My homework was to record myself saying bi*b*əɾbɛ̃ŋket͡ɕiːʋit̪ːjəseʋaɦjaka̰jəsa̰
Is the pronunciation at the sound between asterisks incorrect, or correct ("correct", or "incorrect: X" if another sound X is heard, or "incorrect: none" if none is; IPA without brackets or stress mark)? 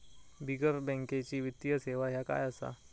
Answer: incorrect: ɡ